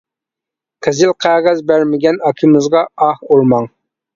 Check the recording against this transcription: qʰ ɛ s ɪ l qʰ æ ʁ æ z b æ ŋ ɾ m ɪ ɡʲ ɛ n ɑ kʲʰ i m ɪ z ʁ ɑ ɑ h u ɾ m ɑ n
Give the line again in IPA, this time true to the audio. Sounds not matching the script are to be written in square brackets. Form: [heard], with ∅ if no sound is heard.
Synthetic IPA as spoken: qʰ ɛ [z] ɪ l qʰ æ ʁ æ z b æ [∅] ɾ m ɪ ɡʲ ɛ n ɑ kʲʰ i m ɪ z ʁ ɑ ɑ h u ɾ m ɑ [ŋ]